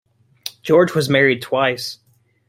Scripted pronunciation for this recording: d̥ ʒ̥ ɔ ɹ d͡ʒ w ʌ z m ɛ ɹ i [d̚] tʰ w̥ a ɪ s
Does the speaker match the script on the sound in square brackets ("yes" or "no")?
yes